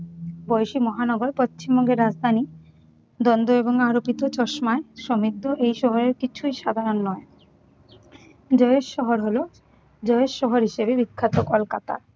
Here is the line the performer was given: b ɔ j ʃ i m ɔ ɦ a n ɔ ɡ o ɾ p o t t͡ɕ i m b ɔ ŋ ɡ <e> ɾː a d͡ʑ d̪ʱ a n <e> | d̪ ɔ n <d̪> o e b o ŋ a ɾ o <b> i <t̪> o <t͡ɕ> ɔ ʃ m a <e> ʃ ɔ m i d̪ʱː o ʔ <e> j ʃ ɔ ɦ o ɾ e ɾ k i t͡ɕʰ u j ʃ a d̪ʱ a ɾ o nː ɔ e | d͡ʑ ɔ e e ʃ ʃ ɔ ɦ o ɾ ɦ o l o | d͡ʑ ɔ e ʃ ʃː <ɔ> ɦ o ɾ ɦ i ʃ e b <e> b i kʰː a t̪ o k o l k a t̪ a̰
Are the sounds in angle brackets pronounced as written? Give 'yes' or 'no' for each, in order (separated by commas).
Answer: yes, no, yes, no, yes, yes, yes, yes, yes, yes